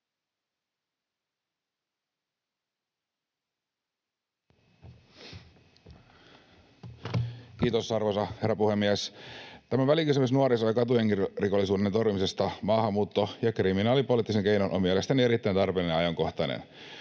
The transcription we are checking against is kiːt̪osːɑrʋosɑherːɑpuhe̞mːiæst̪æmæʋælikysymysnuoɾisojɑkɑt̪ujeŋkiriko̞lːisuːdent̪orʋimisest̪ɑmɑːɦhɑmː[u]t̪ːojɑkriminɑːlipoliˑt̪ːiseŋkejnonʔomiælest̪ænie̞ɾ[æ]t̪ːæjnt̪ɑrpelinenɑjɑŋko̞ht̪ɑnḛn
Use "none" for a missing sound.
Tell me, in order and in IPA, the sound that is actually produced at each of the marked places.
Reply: uː, i

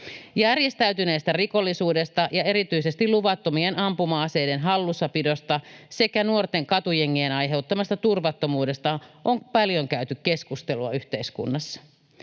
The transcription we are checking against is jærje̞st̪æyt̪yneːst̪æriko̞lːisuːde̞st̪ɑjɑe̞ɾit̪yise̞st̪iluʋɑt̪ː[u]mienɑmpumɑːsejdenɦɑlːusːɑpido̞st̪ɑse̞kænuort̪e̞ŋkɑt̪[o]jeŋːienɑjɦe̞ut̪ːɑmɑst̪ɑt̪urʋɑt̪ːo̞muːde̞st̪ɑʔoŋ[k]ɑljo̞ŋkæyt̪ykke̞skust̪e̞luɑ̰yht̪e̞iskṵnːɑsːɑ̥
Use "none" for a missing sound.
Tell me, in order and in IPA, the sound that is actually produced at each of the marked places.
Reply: o, u, p

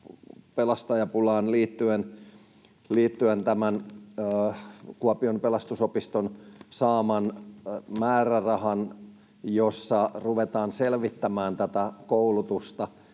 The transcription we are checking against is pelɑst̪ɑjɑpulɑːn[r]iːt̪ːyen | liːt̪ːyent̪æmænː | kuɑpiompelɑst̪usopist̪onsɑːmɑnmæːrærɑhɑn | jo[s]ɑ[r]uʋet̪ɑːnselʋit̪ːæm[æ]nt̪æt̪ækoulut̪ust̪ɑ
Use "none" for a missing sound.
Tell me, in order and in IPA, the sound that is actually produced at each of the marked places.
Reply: l, sː, r, æː

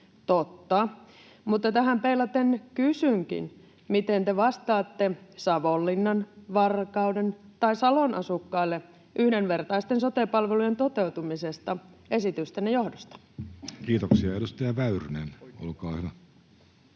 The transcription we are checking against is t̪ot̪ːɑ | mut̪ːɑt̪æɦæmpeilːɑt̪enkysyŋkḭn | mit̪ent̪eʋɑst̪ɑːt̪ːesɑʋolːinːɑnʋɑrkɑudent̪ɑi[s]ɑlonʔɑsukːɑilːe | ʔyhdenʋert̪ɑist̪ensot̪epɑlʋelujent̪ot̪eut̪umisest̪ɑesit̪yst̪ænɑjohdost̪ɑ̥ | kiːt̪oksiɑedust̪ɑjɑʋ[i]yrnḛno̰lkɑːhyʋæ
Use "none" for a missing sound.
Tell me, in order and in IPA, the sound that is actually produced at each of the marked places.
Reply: s, æ

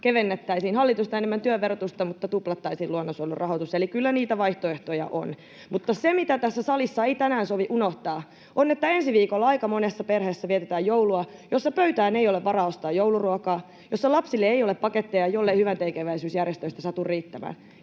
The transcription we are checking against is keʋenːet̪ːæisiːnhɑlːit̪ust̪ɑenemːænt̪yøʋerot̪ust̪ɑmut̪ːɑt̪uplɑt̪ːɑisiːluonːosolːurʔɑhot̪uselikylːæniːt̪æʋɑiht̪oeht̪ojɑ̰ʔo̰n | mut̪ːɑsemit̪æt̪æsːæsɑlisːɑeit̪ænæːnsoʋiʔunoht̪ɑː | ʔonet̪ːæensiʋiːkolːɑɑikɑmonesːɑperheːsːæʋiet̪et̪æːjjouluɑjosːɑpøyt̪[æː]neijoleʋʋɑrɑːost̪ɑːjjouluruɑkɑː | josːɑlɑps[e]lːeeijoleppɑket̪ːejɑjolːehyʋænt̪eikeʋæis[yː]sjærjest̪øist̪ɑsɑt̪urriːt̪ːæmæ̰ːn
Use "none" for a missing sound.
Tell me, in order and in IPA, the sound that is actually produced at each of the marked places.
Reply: æː, i, yː

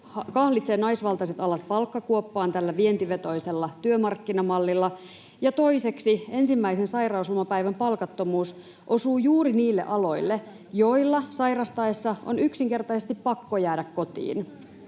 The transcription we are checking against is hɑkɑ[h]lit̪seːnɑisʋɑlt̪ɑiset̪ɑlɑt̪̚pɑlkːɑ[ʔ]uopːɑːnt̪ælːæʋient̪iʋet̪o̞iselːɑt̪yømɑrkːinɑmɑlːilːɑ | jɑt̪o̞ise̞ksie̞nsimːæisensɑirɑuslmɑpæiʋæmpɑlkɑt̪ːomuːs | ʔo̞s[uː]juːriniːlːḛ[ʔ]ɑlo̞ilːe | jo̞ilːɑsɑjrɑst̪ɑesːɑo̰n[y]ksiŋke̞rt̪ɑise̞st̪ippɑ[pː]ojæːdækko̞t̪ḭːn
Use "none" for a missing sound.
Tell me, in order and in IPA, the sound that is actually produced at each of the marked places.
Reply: h, k, uː, ʔ, y, kː

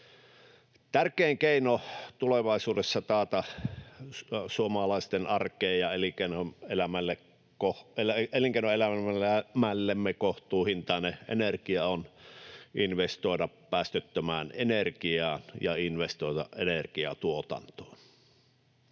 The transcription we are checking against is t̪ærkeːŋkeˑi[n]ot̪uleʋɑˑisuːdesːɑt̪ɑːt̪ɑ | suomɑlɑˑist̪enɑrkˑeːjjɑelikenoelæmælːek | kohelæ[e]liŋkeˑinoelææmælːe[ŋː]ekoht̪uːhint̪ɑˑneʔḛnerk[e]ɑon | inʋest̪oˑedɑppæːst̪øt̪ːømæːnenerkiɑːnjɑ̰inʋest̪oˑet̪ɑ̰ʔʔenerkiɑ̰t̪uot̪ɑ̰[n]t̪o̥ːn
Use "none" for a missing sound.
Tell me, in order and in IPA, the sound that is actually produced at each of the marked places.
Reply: n, e, mː, i, n

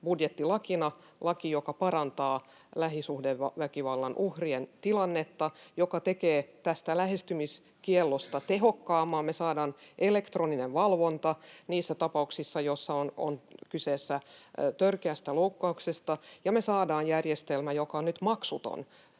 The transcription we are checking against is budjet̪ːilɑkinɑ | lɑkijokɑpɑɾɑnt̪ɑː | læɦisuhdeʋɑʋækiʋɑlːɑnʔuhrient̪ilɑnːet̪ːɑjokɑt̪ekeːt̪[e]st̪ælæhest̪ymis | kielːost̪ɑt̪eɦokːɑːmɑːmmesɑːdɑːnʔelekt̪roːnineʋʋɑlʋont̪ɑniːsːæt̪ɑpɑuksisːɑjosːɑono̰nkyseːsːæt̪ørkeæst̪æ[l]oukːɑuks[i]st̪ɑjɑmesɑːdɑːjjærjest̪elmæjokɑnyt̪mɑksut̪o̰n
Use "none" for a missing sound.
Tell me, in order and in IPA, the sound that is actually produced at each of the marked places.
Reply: æ, l, e

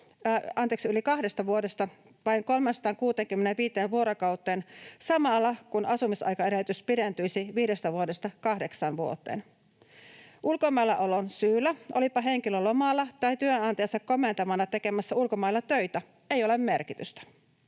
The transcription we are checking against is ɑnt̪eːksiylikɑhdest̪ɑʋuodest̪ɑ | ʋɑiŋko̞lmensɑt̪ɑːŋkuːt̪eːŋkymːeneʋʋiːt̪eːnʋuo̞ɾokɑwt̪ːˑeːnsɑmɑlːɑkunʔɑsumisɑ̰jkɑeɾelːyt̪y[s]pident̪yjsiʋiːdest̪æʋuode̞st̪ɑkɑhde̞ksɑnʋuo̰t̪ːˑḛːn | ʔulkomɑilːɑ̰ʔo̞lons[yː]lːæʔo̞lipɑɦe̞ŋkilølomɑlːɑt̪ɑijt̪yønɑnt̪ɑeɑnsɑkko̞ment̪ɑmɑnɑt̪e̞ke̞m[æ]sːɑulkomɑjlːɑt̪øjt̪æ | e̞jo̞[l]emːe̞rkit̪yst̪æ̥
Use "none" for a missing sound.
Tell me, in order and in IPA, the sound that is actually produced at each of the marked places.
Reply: s, yː, æ, l

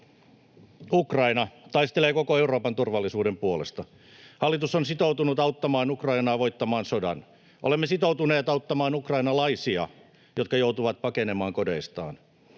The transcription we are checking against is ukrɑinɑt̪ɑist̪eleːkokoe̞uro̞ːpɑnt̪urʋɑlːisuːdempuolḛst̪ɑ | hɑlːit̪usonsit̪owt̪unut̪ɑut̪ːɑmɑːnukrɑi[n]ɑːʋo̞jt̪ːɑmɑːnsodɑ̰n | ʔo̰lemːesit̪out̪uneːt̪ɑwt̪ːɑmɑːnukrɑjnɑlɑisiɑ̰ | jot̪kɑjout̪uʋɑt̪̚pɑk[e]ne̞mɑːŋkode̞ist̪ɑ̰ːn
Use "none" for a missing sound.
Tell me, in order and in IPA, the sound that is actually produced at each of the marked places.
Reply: n, e

